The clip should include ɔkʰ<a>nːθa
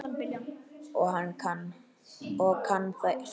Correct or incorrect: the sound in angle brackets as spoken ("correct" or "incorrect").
correct